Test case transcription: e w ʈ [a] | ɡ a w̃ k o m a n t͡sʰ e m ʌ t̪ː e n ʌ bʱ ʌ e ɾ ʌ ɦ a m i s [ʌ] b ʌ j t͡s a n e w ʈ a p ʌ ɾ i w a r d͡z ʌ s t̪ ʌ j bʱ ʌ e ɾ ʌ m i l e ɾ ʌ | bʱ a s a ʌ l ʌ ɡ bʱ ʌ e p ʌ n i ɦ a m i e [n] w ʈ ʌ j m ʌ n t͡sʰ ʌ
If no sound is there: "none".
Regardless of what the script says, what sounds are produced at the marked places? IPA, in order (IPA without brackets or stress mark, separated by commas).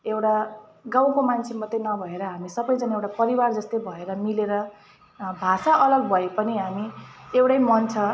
a, ʌ, none